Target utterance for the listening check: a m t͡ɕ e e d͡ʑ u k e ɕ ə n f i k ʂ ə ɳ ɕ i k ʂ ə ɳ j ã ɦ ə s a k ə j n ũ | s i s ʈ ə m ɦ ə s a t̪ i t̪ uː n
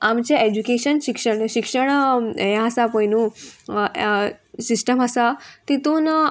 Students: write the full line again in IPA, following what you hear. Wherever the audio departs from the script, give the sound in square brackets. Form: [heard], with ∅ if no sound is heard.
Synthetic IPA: a m t͡ɕ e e d͡ʑ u k e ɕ ə n [ɕ] i k ʂ ə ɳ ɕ i k ʂ ə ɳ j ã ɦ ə s a [p] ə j n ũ | s i s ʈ ə m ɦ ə s a t̪ i t̪ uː n